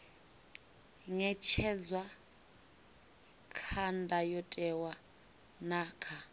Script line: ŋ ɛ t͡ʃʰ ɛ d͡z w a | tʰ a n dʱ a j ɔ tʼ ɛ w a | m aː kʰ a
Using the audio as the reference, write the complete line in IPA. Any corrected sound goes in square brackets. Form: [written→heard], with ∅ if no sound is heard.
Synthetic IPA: ŋ ɛ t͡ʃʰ ɛ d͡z w a | [tʰ→kʰ] a n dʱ a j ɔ tʼ ɛ w a | [m→n] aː kʰ a

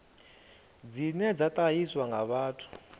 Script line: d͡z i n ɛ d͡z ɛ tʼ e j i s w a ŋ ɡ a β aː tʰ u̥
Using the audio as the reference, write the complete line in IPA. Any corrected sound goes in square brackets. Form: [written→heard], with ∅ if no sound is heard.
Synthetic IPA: d͡z i n ɛ d͡z [ɛ→a] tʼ [e→a] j i s w a ŋ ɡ a β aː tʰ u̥

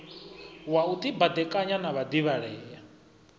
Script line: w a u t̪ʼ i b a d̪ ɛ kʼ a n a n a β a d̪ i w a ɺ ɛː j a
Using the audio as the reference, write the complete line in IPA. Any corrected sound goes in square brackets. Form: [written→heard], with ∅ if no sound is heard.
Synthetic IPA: w a u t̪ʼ i b a d̪ ɛ kʼ a [n→ɲ] a n a β a d̪ i [w→β] a ɺ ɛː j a

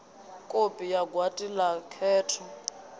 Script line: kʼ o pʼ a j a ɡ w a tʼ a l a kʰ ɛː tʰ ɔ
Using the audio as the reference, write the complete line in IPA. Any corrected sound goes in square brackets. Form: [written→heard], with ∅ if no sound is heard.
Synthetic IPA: kʼ o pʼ [a→i] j a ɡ w a tʼ [a→i] l a kʰ ɛː tʰ ɔ

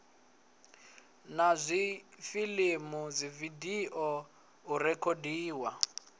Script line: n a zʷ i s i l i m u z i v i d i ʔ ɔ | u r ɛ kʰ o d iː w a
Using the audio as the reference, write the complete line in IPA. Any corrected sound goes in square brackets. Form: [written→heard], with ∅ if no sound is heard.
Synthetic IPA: n a zʷ i [s→f] i l i m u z i v i d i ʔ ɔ | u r ɛ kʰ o d iː w a

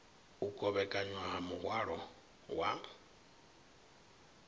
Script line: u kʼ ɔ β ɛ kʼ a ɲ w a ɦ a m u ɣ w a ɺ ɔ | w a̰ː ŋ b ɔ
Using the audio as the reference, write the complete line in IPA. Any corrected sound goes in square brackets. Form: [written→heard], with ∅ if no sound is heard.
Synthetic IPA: u kʼ ɔ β ɛ kʼ a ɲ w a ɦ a m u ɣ w a ɺ ɔ | w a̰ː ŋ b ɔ

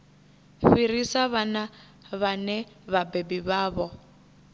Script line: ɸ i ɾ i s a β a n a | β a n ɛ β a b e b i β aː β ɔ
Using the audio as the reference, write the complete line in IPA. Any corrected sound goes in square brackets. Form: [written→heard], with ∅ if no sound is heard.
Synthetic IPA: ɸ i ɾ i s a β a n a | β a n ɛ β a b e b i β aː β ɔ

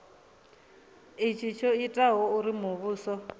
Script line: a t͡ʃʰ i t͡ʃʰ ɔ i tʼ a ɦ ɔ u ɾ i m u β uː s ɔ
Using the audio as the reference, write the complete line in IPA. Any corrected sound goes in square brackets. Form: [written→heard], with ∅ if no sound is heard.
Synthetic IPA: [a→i] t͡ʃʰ i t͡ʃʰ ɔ i tʼ a ɦ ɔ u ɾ i m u β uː s ɔ

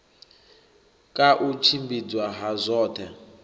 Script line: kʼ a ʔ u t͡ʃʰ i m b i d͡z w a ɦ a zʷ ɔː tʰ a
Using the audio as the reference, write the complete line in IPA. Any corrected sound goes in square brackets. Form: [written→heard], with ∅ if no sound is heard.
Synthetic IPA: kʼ a ʔ u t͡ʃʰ i m b i d͡z w a ɦ a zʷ ɔː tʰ [a→ɛ]

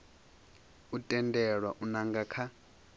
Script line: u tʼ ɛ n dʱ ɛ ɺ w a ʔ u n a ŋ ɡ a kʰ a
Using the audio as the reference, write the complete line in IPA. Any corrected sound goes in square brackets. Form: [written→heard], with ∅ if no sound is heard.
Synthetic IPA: u tʼ ɛ n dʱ ɛ ɺ w a ʔ u n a ŋ ɡ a kʰ a

